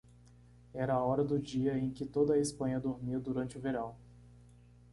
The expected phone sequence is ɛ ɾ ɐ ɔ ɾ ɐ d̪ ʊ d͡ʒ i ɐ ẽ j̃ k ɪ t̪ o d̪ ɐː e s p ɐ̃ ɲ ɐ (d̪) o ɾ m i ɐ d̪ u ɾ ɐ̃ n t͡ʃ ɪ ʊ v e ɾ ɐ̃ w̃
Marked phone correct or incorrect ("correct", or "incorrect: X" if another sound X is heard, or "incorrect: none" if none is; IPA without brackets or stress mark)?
correct